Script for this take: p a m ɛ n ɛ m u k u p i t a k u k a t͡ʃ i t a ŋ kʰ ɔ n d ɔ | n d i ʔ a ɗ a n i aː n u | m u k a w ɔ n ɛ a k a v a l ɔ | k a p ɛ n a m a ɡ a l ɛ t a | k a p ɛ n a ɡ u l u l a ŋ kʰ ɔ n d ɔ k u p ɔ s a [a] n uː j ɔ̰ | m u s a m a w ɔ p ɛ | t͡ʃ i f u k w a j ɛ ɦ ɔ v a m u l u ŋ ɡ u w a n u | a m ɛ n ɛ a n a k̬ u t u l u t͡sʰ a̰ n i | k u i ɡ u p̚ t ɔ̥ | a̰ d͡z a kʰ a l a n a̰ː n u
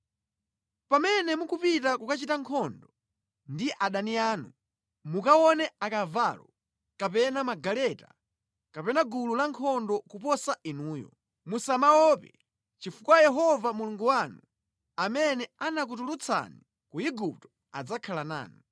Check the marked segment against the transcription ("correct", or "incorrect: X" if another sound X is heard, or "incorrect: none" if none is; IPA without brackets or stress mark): incorrect: i